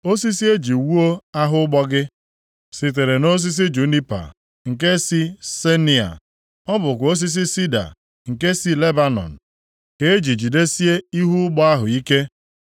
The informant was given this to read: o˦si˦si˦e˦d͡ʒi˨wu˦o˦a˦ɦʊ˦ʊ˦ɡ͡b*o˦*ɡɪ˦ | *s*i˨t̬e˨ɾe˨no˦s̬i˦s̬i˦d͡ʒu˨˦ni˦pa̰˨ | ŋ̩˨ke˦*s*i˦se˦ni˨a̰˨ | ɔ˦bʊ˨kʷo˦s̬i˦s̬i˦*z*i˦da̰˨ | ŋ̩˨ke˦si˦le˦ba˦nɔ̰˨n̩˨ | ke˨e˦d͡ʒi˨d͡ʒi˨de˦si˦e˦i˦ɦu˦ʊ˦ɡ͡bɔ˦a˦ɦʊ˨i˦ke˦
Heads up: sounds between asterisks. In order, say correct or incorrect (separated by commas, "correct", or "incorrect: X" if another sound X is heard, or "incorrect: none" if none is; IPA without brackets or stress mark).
incorrect: ɔ˦, correct, correct, incorrect: s